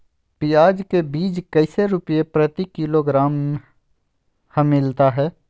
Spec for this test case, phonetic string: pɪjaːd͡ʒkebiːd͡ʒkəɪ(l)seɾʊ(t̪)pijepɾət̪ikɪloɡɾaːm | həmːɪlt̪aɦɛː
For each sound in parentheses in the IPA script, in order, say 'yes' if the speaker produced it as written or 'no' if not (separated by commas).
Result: no, no